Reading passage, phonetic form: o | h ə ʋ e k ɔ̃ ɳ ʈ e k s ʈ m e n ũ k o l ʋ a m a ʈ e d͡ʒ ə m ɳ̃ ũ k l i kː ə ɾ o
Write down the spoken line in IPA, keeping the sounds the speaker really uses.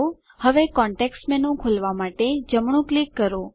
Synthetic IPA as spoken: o | h ə ʋ e k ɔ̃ ɳ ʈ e k s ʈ m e n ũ kʰ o l ʋ a m a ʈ e d͡ʒ ə m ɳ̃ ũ k l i kː ə ɾ o